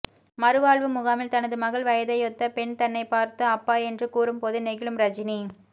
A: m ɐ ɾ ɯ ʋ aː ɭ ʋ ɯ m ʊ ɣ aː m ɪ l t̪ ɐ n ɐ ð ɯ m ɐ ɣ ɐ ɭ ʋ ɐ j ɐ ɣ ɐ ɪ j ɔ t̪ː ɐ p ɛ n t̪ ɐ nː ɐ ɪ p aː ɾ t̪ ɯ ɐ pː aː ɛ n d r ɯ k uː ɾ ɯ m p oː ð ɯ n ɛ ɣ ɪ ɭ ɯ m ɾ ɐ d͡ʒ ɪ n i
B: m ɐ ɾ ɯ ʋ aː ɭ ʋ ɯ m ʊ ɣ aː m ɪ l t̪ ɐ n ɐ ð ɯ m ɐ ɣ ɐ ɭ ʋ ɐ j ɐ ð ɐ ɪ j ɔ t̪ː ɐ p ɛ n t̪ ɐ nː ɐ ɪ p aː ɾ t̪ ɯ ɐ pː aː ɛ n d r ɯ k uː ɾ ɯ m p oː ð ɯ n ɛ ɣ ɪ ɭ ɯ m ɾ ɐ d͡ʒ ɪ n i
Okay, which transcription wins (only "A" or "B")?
B